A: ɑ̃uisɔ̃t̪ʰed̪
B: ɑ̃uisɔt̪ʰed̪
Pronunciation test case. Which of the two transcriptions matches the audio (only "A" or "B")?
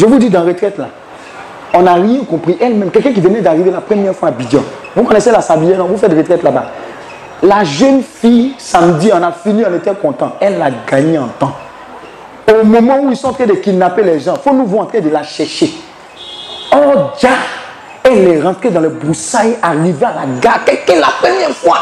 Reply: A